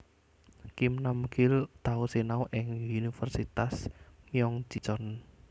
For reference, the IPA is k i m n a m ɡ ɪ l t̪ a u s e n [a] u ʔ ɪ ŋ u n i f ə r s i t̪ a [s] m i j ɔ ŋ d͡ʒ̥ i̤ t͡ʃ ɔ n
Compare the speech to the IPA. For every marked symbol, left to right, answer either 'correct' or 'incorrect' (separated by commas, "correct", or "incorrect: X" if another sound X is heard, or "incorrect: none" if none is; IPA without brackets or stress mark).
correct, correct